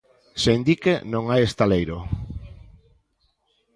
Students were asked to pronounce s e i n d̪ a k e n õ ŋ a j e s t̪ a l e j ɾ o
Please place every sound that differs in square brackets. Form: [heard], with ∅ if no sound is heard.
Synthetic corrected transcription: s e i n d̪ [i] k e n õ ŋ a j e s t̪ a l e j ɾ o